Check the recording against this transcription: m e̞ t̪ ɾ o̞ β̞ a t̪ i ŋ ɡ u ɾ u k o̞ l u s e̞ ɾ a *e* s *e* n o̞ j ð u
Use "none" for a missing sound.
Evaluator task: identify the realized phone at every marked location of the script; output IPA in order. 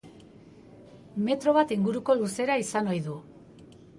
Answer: i, a

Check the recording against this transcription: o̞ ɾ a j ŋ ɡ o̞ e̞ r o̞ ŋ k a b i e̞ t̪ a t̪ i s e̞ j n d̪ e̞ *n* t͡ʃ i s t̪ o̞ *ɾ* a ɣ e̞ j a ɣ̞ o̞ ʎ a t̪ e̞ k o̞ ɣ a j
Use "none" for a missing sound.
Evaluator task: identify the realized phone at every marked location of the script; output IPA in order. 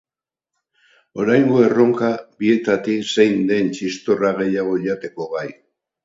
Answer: n, r

